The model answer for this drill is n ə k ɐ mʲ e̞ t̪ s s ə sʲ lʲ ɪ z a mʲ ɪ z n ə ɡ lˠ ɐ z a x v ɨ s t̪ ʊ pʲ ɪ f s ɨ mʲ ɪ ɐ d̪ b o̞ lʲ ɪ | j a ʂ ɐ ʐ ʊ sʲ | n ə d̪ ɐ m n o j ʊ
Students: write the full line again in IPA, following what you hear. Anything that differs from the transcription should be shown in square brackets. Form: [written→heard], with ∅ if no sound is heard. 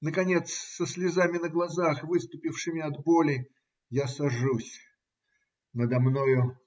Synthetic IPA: n ə k ɐ [mʲ→nʲ] e̞ t̪ s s ə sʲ lʲ ɪ z a mʲ ɪ [z→∅] n ə ɡ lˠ ɐ z a x v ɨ s t̪ ʊ pʲ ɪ f [s→ʂ] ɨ mʲ ɪ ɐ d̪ b o̞ lʲ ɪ | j a [ʂ→s] ɐ ʐ [ʊ→u] sʲ | n ə d̪ ɐ m n o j ʊ